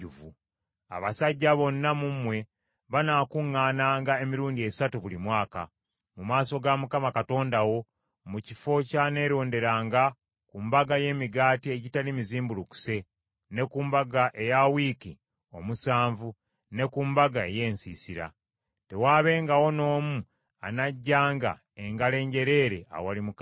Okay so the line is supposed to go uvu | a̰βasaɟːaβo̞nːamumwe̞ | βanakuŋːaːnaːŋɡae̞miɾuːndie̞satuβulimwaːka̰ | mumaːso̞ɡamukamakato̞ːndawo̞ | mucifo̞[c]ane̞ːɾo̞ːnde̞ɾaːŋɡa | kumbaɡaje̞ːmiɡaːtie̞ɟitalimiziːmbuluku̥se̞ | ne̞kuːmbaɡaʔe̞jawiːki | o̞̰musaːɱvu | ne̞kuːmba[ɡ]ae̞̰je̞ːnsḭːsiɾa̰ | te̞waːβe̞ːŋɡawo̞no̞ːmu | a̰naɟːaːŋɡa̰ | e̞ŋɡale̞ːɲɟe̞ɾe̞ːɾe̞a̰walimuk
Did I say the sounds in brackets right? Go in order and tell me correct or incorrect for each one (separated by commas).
correct, correct